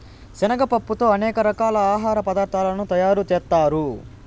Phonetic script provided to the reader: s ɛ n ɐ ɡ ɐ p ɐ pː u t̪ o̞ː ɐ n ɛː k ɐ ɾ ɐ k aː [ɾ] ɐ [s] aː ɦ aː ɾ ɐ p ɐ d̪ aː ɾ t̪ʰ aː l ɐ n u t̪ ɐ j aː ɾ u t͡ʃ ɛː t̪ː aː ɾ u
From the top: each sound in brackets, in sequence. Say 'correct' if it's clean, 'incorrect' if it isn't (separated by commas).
incorrect, incorrect